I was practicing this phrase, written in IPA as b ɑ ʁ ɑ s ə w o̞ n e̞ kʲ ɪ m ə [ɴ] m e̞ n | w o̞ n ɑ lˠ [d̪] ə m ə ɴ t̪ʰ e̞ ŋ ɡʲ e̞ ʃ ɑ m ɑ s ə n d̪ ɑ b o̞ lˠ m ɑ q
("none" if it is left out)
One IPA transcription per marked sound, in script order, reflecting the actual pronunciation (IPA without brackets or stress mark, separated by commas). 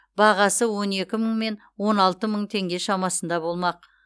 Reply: ɴ, t̪